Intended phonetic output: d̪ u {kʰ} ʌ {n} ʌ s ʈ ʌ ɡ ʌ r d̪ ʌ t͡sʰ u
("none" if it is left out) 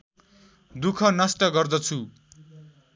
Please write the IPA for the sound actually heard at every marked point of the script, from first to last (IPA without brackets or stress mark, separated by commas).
kʰ, n